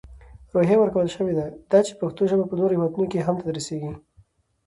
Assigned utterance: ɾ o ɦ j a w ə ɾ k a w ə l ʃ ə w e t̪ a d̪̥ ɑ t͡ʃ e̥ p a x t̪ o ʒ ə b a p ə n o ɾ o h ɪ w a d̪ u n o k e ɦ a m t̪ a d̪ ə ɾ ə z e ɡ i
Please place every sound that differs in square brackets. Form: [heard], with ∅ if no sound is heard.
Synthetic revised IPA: ɾ o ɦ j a w ə ɾ k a w ə l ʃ ə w e [d̪] a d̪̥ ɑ t͡ʃ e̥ p a x t̪ o ʒ ə b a p ə n o ɾ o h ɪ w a d̪ u n o k e ɦ a m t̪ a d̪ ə ɾ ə [s] e ɡ i